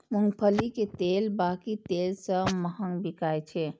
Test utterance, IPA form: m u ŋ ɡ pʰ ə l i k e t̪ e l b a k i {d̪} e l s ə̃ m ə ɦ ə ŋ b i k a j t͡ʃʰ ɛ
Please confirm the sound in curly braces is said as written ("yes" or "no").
no